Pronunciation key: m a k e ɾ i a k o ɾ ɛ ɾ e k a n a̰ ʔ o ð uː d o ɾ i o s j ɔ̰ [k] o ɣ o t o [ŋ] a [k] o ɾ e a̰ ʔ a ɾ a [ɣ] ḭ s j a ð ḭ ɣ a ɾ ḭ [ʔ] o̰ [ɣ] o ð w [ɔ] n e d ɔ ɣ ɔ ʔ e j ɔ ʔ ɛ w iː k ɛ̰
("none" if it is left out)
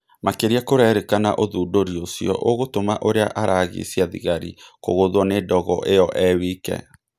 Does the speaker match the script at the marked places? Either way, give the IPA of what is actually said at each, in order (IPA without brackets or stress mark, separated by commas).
ʔ, m, ʔ, ɣ, k, ɣ, ɔ